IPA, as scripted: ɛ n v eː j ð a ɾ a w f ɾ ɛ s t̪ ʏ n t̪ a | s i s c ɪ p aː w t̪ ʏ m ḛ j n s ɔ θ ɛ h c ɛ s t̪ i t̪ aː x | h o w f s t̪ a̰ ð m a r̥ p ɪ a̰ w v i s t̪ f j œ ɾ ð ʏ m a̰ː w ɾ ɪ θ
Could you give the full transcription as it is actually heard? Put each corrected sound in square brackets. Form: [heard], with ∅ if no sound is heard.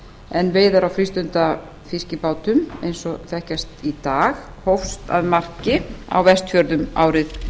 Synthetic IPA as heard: ɛ n v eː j ð a ɾ a w f ɾ [i] s t̪ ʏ n t̪ a | [f] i s c ɪ p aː w t̪ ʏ m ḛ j n s ɔ θ ɛ h c [a] s t̪ i t̪ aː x | h o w f s t̪ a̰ ð m a r̥ [c] ɪ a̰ w v [ɛ] s t̪ f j œ ɾ ð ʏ m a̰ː w ɾ ɪ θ